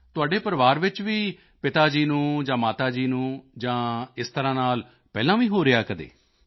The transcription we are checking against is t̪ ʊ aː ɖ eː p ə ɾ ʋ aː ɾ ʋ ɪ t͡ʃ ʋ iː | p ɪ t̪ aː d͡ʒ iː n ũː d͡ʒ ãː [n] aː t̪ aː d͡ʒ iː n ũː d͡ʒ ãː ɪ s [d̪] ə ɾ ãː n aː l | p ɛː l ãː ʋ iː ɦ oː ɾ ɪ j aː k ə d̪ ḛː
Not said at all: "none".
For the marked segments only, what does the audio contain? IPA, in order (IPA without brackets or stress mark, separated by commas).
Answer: m, t̪